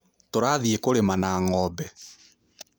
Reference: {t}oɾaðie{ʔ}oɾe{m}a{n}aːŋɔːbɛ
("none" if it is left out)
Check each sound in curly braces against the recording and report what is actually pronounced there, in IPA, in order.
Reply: t, k, m, n

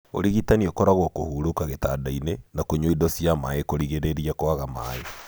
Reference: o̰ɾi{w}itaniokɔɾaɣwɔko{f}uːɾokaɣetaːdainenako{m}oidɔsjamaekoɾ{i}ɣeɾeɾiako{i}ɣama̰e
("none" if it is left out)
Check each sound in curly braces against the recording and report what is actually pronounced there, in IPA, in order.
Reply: ɣ, h, ɲ, i, a

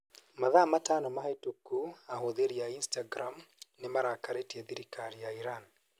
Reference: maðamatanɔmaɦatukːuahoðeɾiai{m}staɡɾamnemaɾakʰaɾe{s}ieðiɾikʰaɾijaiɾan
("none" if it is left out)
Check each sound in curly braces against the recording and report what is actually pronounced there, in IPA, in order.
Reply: n, t

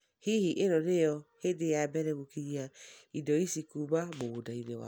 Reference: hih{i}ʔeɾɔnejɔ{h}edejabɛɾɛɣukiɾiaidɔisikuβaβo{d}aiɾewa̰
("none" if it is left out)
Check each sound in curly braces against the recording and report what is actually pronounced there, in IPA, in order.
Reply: i, h, d

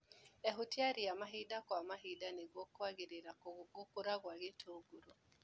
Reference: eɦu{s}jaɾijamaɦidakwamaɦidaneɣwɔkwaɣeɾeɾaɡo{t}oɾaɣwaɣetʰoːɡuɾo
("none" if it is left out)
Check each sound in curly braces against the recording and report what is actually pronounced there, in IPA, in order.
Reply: t, k

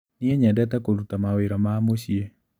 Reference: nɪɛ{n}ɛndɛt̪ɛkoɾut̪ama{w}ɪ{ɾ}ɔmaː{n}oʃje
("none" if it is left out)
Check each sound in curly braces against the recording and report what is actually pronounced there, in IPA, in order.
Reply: ɲ, w, ɾ, m

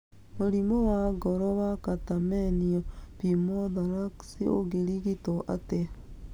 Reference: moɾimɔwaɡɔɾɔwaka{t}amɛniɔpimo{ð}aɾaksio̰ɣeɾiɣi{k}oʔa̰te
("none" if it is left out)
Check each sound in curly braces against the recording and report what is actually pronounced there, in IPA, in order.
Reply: t, ð, t

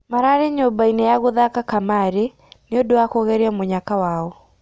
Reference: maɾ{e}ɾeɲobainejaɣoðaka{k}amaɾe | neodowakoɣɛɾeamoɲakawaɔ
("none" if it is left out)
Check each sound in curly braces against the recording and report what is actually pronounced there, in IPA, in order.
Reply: a, k

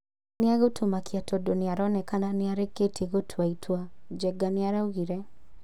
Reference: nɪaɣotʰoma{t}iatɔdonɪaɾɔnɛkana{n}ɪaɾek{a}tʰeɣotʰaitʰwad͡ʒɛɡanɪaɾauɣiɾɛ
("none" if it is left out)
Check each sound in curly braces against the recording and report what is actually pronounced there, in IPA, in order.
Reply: k, n, e

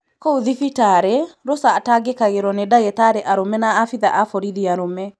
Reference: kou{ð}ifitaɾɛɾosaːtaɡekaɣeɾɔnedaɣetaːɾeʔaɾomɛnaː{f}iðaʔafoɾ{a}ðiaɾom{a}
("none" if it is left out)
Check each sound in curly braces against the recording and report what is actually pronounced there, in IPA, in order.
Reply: ð, f, i, ɛ

